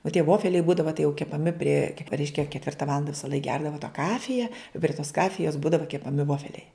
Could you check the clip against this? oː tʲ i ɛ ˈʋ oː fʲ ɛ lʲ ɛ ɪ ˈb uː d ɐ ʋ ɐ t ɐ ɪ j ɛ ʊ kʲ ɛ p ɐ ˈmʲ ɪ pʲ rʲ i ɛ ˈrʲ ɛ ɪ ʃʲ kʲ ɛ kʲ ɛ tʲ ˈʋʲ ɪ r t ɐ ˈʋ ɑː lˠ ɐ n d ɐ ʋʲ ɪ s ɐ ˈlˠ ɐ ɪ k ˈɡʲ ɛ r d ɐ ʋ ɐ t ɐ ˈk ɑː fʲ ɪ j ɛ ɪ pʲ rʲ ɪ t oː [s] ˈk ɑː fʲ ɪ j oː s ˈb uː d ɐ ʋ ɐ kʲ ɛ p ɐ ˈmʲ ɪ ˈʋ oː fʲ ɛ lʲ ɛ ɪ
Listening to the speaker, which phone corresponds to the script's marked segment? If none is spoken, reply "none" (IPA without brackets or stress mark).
s